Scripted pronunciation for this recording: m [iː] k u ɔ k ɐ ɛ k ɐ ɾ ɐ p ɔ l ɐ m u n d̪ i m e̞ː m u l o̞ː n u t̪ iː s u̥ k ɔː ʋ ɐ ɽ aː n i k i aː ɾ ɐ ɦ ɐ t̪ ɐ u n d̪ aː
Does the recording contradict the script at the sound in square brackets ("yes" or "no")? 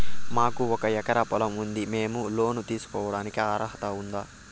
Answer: yes